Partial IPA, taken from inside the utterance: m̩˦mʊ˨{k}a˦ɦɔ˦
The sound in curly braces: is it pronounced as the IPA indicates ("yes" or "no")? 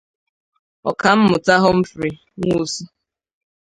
no